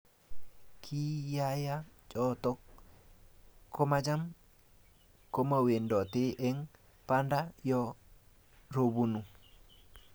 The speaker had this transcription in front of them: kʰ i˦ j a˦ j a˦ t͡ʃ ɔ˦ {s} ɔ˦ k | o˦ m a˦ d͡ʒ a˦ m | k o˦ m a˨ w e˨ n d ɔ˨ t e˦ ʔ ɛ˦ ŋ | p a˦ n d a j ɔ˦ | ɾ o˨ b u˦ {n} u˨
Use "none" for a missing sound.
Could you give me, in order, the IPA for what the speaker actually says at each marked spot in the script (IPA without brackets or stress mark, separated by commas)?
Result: t, n